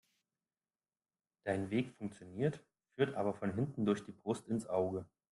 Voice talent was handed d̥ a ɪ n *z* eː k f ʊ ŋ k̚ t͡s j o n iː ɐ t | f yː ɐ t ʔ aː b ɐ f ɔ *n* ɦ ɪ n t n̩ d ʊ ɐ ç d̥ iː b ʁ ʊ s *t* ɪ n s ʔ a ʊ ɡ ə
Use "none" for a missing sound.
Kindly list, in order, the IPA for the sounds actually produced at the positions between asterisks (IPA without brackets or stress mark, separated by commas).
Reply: v, n, t